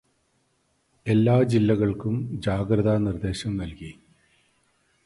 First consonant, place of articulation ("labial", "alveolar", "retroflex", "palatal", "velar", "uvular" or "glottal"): alveolar